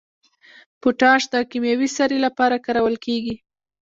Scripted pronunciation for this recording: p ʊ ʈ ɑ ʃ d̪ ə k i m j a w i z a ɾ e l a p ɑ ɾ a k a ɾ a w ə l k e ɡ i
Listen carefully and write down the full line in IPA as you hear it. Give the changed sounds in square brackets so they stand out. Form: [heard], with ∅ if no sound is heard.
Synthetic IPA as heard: p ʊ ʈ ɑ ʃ d̪ ə k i m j a w i [s] a ɾ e l a p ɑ ɾ a k a ɾ a w ə l k e ɡ i

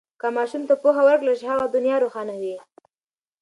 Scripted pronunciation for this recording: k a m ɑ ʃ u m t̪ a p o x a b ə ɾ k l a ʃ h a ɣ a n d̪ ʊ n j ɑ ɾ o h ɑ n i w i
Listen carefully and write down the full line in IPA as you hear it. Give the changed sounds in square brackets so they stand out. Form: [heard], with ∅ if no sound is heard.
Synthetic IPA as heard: k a m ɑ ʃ u m t̪ a p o x a [w] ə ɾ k l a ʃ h a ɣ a [∅] d̪ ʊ n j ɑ ɾ o [x] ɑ n [a] w i

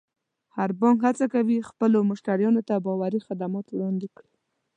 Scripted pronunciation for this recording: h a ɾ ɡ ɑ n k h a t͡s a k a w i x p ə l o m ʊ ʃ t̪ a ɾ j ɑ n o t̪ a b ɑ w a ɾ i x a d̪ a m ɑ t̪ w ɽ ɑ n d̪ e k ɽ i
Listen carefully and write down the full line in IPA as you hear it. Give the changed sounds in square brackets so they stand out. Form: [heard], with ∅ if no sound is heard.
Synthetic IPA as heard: h a ɾ [b] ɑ [ŋ] k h a t͡s a k a w i x p ə l o m ʊ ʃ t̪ a ɾ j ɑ n o t̪ a b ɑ w a ɾ i x a d̪ a m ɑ t̪ w ɽ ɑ n d̪ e k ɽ i

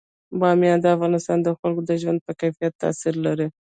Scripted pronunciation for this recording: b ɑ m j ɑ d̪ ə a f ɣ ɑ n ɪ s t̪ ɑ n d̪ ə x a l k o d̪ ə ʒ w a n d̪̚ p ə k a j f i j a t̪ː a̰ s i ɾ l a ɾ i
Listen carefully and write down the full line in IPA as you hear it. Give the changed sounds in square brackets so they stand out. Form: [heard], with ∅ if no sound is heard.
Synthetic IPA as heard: b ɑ m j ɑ d̪ ə a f ɣ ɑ n ɪ s t̪ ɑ n d̪ ə x a l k o d̪ ə ʒ w a n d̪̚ p ə k a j f i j a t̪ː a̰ s i ɾ l a ɾ i

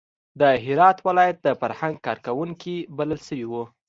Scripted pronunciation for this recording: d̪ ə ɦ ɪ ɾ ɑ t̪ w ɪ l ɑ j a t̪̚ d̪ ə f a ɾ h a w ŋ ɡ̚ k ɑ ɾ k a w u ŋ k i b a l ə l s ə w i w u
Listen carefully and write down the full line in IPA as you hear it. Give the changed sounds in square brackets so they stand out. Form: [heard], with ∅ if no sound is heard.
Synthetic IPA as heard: d̪ ə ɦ ɪ ɾ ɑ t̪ w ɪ l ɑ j a t̪̚ d̪ ə f a ɾ h a [∅] ŋ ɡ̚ k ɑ ɾ k a w u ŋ k i b a l ə l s ə w i w u

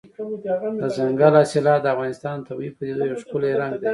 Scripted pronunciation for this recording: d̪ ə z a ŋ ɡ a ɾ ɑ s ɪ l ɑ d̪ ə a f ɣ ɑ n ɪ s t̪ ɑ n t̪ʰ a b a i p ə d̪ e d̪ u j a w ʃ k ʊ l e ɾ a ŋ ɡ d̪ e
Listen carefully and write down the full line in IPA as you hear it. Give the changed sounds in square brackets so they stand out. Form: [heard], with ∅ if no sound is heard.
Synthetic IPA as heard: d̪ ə z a ŋ ɡ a [l] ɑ s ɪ l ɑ d̪ ə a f ɣ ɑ n ɪ s t̪ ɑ n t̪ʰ a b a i p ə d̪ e d̪ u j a w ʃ k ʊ l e ɾ a ŋ ɡ d̪ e

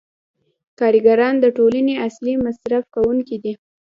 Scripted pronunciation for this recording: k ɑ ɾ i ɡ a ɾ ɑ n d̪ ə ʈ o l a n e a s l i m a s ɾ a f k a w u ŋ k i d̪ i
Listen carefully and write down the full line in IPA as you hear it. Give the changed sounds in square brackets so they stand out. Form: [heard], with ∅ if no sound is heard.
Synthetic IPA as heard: k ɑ ɾ i ɡ a ɾ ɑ n d̪ ə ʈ o l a n e a s l i m a s ɾ a f k a w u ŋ k i d̪ i

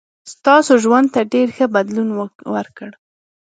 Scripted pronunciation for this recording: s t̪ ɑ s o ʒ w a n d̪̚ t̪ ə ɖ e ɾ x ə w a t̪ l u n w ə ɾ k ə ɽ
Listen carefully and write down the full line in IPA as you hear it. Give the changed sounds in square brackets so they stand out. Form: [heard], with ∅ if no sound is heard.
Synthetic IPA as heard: s t̪ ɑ s o ʒ w a n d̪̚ t̪ [a] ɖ e ɾ x ə [b] a [d̪] l u n w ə ɾ k ə ɽ

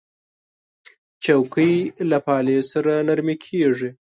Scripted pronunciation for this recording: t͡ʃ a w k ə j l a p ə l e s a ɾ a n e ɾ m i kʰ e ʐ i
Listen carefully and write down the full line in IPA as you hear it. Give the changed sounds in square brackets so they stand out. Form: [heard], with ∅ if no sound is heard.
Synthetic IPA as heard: t͡ʃ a w k ə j l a p [ɑ] l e s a ɾ a n [a] ɾ m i kʰ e ʐ i

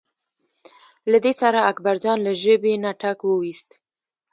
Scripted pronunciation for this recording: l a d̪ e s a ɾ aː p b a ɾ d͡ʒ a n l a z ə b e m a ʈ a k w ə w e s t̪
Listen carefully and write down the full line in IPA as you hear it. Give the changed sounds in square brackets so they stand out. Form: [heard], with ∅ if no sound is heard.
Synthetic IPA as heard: l a d̪ e s a ɾ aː [k] b a ɾ d͡ʒ [ɑ] n l a [ʒ] ə b e [n] a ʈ a k w ə w [i] s t̪

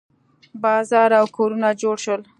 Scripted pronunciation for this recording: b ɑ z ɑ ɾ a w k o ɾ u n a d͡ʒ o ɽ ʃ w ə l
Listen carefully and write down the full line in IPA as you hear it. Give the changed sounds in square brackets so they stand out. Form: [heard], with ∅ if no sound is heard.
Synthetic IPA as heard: b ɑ z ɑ ɾ a w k o ɾ u n a d͡ʒ o ɽ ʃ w ə l

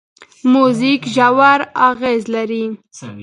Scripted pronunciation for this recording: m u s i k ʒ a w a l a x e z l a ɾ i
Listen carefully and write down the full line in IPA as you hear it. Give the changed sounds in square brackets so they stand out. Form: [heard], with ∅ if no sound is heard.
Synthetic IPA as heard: m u [z] i k ʒ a w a [ɾ] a [ɣ] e z l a ɾ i

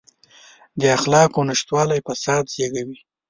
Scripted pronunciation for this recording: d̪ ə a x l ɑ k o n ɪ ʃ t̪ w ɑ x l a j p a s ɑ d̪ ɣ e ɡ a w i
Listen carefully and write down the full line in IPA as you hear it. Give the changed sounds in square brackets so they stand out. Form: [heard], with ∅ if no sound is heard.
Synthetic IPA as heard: d̪ ə a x l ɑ k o n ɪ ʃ t̪ w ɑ [∅] l a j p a s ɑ d̪ [z] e ɡ a w i

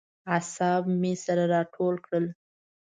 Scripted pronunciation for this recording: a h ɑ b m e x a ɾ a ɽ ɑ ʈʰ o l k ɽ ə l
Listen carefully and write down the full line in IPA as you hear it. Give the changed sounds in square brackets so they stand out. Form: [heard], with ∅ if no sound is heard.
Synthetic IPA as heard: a [s] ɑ b m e [s] a ɾ a [ɾ] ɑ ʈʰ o l k ɽ ə l

